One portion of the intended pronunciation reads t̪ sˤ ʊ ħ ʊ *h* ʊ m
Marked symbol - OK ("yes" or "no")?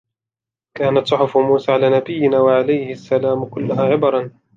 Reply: no